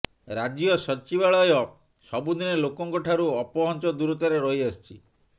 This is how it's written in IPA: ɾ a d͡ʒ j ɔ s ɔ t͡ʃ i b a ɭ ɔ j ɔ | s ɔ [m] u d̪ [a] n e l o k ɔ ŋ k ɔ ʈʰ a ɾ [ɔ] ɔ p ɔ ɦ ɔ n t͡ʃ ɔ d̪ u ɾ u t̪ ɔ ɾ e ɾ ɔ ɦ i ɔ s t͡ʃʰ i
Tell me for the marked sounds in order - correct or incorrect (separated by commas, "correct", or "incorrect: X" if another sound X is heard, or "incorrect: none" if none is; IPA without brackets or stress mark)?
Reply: incorrect: b, incorrect: i, incorrect: u